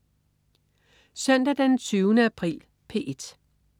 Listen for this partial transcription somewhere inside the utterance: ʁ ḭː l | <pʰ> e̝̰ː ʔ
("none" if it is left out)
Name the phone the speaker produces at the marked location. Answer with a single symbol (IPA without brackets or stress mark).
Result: pʰ